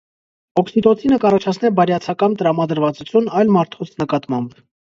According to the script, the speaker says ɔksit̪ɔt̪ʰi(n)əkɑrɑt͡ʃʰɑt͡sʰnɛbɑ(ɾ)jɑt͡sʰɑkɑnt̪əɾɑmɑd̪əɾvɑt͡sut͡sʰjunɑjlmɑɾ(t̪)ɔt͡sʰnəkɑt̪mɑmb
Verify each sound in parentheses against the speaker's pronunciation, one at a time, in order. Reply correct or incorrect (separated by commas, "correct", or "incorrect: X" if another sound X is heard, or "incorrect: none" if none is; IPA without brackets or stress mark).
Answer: correct, correct, incorrect: t̪ʰ